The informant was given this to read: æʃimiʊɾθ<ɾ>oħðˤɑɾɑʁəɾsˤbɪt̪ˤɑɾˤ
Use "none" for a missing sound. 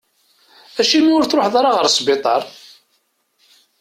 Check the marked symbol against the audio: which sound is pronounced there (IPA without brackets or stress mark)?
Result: ɾ